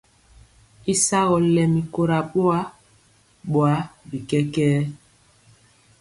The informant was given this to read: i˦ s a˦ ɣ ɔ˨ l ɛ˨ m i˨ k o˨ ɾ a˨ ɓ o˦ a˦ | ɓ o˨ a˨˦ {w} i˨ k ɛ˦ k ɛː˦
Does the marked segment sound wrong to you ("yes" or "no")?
yes